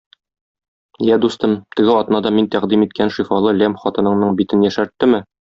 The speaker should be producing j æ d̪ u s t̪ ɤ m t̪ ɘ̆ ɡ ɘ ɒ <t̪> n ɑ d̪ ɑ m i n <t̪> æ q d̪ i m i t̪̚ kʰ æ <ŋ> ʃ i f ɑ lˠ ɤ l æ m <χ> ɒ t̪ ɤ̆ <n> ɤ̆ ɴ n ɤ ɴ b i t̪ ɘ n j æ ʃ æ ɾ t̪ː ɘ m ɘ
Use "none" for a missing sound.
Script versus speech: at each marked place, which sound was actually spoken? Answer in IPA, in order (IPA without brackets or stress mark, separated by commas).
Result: t̪, t̪, n, χ, n